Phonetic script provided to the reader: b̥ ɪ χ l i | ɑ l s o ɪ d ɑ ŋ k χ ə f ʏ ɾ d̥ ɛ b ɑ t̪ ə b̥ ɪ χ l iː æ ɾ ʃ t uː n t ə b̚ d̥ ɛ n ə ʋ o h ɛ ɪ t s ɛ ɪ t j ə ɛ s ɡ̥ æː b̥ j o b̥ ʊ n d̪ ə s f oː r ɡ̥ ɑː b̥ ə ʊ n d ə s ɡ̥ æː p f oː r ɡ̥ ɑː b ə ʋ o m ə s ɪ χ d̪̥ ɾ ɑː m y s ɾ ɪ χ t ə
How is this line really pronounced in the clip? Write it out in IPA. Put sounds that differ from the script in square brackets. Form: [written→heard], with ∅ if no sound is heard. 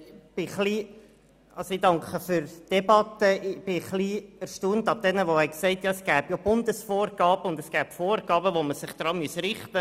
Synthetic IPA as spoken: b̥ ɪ χ l i | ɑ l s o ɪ d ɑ ŋ k χ ə f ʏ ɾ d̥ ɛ b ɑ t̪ ə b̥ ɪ χ l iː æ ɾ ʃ t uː n t [ə→ɑ] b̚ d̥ ɛ n ə ʋ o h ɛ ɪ [t→k] s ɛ ɪ t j [ə→ɑ] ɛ s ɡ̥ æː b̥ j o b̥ ʊ n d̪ ə s f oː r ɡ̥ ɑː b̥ ə ʊ n d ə s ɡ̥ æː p f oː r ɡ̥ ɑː b ə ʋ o m ə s ɪ χ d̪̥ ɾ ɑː m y s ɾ ɪ χ t ə